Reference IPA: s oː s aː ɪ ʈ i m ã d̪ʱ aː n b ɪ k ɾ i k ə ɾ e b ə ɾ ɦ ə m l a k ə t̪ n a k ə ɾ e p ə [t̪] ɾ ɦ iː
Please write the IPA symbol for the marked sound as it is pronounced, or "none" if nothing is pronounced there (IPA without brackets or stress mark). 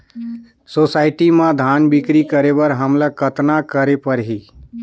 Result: none